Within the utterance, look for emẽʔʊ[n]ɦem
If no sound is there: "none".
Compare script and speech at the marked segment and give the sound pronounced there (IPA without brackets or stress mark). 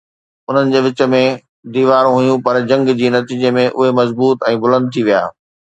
none